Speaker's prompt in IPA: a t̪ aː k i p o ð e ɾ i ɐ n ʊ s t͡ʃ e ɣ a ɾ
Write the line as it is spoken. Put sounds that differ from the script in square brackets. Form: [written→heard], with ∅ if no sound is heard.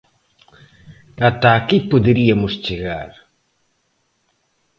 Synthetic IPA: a t̪ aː k i p o ð e ɾ i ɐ [n→m] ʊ s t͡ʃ e ɣ a ɾ